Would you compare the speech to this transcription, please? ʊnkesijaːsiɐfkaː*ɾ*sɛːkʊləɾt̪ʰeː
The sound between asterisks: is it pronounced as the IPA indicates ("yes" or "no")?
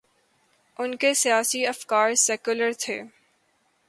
yes